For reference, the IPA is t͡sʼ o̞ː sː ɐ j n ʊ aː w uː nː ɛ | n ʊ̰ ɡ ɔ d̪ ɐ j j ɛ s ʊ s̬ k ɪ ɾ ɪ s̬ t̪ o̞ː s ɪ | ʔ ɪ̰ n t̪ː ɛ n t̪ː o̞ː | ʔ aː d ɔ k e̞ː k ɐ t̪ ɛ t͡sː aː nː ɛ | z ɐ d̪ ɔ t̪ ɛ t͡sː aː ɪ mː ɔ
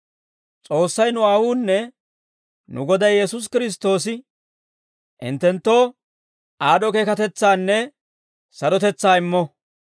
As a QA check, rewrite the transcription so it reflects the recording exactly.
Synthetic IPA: t͡sʼ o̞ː sː ɐ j n ʊ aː w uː nː ɛ | n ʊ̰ ɡ ɔ d̪ ɐ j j ɛ s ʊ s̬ k ɪ ɾ ɪ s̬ t̪ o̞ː s ɪ | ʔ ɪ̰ n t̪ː ɛ n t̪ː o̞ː | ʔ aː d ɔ k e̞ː k ɐ t̪ ɛ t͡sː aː nː ɛ | s ɐ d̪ ɔ t̪ ɛ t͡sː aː ɪ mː ɔ